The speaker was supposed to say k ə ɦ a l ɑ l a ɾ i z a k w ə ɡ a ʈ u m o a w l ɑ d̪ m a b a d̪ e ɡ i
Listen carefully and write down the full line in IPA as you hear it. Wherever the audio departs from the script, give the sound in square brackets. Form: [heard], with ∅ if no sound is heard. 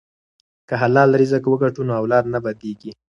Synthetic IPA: k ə ɦ a l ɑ l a ɾ i z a k w ə ɡ a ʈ u [n] o a w l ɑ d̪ [n] a b a d̪ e ɡ i